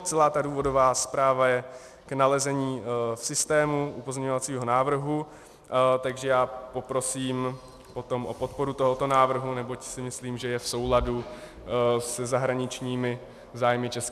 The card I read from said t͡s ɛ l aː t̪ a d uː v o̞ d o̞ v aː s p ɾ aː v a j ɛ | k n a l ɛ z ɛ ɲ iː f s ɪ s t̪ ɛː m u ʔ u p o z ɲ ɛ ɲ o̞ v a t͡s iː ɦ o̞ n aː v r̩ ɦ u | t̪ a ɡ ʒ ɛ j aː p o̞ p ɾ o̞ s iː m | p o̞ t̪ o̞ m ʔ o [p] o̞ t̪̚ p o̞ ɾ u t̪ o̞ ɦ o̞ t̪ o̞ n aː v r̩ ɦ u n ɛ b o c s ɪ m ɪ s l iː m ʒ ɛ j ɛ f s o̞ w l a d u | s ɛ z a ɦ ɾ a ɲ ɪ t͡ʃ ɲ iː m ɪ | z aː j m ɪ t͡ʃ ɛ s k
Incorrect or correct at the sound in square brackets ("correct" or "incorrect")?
correct